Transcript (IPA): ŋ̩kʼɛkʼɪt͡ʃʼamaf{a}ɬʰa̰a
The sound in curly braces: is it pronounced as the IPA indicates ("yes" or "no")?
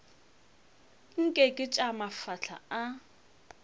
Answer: yes